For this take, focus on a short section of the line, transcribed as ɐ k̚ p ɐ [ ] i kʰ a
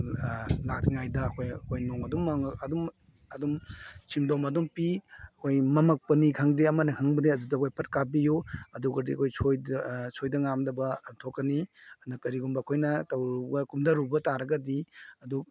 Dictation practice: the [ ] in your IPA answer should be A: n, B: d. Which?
A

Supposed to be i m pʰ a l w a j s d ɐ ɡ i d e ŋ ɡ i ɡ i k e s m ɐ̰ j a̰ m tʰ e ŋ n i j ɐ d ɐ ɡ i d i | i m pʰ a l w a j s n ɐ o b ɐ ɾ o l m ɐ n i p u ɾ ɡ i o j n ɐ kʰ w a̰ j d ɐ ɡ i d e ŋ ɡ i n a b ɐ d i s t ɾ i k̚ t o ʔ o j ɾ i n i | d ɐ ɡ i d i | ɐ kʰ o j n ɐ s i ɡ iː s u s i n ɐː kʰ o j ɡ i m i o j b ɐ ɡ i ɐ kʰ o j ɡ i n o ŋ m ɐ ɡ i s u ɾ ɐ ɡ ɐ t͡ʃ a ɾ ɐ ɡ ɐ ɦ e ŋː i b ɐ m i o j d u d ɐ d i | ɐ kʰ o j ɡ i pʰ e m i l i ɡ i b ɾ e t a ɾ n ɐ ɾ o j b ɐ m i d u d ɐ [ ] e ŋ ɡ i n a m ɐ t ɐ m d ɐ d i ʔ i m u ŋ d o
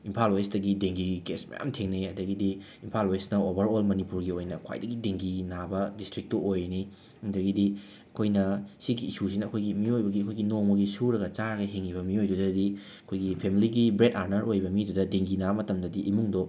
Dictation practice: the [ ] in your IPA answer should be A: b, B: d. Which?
B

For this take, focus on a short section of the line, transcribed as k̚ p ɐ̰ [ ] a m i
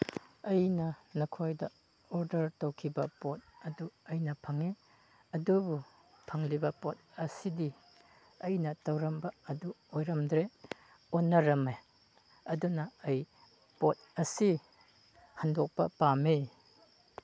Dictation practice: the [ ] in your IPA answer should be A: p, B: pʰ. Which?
A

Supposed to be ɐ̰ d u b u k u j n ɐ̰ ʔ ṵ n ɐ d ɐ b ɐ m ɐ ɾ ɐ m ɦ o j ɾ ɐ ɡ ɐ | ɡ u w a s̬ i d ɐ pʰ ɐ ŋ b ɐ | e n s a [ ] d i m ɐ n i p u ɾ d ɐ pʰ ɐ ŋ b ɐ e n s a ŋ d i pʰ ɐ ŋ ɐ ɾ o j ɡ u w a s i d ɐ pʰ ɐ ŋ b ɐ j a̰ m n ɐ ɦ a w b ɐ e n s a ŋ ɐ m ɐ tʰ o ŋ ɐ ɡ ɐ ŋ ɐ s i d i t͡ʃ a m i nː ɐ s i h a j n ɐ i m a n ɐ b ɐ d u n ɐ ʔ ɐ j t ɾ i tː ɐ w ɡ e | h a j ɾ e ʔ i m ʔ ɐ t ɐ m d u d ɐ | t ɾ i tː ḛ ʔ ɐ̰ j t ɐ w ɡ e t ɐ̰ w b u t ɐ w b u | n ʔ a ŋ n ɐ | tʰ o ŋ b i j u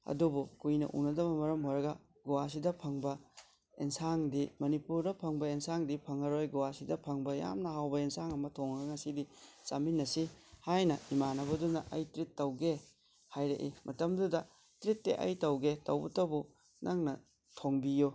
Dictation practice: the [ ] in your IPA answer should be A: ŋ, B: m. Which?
A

